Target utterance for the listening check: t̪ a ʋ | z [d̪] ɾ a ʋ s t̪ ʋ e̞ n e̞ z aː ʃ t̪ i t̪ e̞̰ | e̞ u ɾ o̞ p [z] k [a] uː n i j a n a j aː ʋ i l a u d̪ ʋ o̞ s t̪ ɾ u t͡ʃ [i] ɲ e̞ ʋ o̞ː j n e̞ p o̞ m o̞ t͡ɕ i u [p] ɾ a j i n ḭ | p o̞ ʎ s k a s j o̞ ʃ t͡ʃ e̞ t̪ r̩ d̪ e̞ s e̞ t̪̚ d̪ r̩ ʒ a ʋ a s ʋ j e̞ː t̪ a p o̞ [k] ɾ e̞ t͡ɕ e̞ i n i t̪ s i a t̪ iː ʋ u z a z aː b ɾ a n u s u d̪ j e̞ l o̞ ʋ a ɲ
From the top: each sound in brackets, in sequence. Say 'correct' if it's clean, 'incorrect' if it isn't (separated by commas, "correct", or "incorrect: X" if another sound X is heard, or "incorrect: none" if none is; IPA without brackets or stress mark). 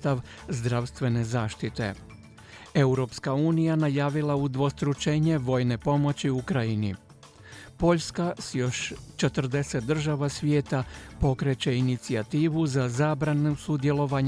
correct, incorrect: s, correct, incorrect: e, incorrect: k, correct